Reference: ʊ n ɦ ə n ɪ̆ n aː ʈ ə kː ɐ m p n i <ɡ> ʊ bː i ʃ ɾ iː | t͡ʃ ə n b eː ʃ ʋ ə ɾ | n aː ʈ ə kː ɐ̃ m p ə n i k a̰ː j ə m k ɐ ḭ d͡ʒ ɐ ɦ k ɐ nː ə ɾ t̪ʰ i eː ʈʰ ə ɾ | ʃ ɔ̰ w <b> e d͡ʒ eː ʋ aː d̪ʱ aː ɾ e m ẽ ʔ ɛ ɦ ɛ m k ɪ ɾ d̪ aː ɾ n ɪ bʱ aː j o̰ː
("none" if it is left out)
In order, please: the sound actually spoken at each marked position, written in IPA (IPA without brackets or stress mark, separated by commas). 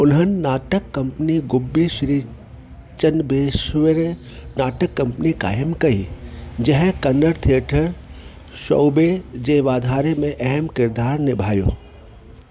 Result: ɡ, b